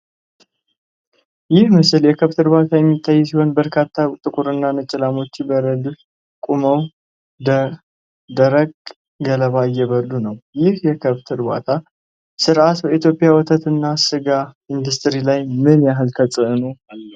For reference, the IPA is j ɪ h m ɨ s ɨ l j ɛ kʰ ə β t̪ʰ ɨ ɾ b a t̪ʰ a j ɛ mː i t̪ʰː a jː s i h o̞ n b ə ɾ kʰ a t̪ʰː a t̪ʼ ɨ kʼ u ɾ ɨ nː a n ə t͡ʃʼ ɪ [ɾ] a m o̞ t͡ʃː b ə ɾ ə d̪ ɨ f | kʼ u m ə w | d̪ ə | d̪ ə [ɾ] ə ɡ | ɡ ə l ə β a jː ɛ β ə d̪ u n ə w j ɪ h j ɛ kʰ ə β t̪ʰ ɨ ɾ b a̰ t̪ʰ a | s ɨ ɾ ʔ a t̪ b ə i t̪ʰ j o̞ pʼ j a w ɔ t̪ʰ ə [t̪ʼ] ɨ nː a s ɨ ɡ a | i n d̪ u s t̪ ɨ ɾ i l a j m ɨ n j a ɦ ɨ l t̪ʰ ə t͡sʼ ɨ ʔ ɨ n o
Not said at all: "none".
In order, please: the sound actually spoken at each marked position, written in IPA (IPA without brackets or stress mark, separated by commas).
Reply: l, ɾ, t̪